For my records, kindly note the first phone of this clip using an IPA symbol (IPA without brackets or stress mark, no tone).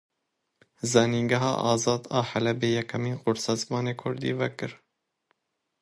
z